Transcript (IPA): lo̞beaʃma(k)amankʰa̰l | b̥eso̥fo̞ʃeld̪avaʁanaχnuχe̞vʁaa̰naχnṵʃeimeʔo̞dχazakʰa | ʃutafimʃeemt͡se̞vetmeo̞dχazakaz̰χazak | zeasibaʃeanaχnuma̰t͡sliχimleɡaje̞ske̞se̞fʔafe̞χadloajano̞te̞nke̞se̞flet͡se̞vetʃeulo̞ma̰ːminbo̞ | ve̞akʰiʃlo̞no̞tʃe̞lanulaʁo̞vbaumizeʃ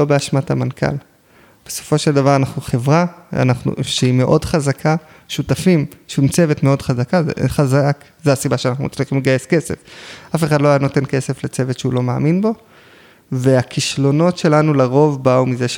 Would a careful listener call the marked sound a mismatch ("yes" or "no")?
yes